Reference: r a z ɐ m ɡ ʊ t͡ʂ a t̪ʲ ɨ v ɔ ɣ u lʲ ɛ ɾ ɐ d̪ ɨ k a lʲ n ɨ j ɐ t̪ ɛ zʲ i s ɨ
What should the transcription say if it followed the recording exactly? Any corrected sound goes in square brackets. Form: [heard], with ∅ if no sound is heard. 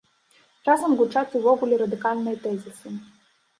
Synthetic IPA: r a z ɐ m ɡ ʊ t͡ʂ a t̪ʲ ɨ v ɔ ɣ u lʲ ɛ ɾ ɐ d̪ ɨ k a lʲ n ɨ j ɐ t̪ ɛ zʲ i s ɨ

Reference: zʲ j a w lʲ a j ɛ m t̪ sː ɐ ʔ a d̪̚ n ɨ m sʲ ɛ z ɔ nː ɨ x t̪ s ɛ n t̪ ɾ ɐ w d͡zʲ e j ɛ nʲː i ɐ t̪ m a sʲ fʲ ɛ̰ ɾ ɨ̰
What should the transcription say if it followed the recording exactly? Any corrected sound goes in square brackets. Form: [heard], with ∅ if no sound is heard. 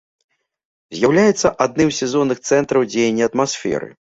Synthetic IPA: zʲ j a w lʲ a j ɛ [∅] t̪ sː ɐ ʔ a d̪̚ n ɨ m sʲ ɛ z ɔ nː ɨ x t̪ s ɛ n t̪ ɾ ɐ w d͡zʲ e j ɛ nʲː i ɐ t̪ m a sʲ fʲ ɛ̰ ɾ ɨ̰

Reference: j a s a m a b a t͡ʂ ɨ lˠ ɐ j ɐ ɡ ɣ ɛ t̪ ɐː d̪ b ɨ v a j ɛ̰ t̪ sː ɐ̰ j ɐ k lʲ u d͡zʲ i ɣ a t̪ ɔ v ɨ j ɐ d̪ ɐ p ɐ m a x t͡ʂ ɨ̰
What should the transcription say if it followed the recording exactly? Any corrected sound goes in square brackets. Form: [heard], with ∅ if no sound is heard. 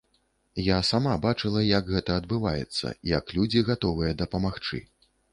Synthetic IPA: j a s a m a b a t͡ʂ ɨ lˠ ɐ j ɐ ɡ ɣ ɛ t̪ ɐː d̪ b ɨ v a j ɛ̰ t̪ sː ɐ̰ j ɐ k lʲ u d͡zʲ i ɣ a t̪ ɔ v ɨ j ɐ d̪ ɐ p ɐ m a x t͡ʂ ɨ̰

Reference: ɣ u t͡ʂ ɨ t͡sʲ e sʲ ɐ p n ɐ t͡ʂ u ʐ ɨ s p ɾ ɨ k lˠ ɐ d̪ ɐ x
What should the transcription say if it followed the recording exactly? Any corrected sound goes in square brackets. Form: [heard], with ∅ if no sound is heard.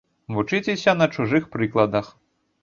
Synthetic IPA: [v] u t͡ʂ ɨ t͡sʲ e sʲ ɐ [∅] n ɐ t͡ʂ u ʐ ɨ [x] p ɾ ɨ k lˠ ɐ d̪ ɐ x

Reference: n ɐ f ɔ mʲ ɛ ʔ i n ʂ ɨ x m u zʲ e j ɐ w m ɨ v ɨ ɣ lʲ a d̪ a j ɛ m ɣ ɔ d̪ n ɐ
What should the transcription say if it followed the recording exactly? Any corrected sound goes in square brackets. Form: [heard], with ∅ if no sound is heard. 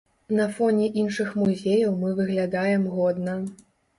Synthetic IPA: n ɐ f ɔ [nʲ] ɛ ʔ i n ʂ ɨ x m u zʲ e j ɐ w m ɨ v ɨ ɣ lʲ a d̪ a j ɛ m ɣ ɔ d̪ n ɐ

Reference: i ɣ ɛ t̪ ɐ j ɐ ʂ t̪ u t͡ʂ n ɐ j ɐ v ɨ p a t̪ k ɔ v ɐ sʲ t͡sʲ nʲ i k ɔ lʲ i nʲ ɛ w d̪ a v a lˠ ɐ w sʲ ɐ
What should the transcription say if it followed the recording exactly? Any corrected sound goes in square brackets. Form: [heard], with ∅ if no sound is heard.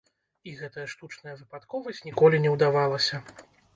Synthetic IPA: i ɣ ɛ t̪ ɐ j ɐ ʂ t̪ u t͡ʂ n ɐ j ɐ v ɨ p a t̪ k ɔ v ɐ sʲ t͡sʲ nʲ i k ɔ lʲ i nʲ ɛ w d̪ a v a lˠ ɐ [∅] sʲ ɐ

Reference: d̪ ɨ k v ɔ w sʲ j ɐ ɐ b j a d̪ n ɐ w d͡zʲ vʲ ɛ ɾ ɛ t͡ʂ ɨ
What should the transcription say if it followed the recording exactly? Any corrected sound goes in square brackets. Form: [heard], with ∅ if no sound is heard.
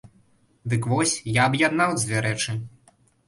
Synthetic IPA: d̪ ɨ k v ɔ [∅] sʲ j [a] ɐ b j a d̪ n [a] w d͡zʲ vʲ ɛ ɾ ɛ t͡ʂ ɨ

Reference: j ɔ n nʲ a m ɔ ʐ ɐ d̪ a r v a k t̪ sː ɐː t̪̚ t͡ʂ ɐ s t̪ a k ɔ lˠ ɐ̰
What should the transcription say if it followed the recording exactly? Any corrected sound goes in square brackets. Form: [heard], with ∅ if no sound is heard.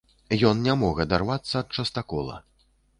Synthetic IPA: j ɔ n nʲ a m ɔ [ɣ] ɐ d̪ a r v a [∅] t̪ sː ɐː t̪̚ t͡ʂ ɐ s t̪ a k ɔ lˠ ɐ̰

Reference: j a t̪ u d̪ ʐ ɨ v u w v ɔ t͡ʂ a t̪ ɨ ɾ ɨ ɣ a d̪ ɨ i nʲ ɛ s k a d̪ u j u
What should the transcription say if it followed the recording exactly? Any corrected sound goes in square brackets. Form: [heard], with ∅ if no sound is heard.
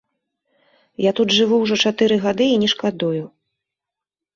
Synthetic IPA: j a t̪ u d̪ ʐ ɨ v u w [ʐ] ɔ t͡ʂ a t̪ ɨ ɾ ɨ ɣ a d̪ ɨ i nʲ ɛ [ʂ] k a d̪ u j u

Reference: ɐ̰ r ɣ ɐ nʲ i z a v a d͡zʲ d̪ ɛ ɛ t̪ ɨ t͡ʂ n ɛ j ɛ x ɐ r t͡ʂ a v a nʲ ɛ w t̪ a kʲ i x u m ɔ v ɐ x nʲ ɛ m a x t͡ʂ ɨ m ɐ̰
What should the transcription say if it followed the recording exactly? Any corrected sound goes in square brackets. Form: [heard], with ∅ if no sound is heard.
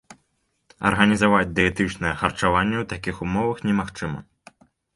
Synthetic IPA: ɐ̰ r ɣ ɐ nʲ i z a v a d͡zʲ d̪ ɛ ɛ t̪ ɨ t͡ʂ n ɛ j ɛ x ɐ r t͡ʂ a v a [nʲː] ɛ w t̪ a kʲ i x u m ɔ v ɐ x nʲ ɛ m a x t͡ʂ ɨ m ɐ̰

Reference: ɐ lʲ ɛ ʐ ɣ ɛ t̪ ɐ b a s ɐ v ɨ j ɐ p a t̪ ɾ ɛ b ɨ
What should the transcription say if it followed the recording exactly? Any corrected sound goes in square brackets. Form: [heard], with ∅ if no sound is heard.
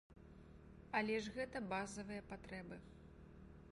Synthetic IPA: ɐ lʲ ɛ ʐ ɣ ɛ t̪ ɐ b a [z] ɐ v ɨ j ɐ p a t̪ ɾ ɛ b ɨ

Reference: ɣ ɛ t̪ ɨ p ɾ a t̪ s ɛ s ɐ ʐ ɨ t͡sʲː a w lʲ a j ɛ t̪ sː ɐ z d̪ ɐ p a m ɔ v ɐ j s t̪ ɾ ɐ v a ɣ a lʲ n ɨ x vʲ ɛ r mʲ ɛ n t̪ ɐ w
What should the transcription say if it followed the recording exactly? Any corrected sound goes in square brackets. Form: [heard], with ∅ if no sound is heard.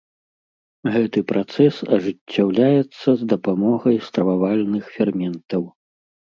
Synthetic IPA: ɣ ɛ t̪ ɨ p ɾ a t̪ s ɛ s ɐ ʐ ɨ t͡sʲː a w lʲ a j ɛ t̪ sː ɐ z d̪ ɐ p a m ɔ [ɣ] ɐ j s t̪ ɾ ɐ v a [v] a lʲ n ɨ x [fʲ] ɛ r mʲ ɛ n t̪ ɐ w

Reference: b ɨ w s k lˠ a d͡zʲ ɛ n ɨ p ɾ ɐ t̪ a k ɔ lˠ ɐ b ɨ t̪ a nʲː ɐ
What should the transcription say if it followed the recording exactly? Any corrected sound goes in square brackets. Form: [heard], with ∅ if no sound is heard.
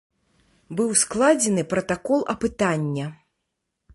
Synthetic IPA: b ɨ w s k lˠ a d͡zʲ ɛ n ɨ p ɾ ɐ t̪ a k ɔ lˠ ɐ [p] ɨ t̪ a nʲː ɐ

